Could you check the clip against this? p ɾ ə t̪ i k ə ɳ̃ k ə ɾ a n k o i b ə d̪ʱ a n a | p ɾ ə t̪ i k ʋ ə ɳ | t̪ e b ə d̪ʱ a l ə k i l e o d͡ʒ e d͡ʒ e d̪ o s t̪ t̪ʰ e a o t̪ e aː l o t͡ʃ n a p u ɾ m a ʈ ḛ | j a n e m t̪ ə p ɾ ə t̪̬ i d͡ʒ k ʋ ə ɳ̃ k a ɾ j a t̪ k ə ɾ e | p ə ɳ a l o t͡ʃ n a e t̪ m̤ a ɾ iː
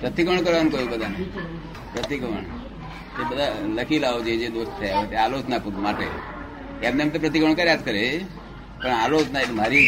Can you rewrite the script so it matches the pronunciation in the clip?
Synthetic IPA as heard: p ɾ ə t̪ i k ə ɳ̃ k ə ɾ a n k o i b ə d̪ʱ a n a | p ɾ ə t̪ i k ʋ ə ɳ | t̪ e b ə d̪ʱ a l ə k i l a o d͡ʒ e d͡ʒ e d̪ o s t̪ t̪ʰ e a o t̪ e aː l o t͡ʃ n a p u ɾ m a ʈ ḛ | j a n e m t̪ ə p ɾ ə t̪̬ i k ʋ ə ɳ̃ k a ɾ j a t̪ k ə ɾ e | p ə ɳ a l o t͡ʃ n a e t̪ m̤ a ɾ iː